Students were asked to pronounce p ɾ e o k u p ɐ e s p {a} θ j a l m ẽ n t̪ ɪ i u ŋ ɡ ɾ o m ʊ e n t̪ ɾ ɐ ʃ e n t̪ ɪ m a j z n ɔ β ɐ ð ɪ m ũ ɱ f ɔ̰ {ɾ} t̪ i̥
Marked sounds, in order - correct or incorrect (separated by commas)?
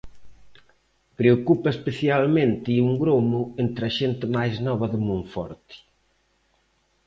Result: incorrect, correct